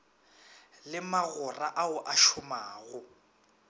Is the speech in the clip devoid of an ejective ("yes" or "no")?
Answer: yes